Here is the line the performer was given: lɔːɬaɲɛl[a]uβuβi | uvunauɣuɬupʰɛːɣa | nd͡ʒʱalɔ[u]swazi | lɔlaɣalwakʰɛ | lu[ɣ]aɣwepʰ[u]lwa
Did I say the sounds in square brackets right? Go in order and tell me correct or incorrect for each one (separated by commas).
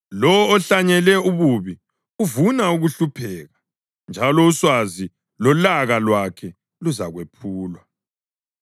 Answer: incorrect, correct, incorrect, incorrect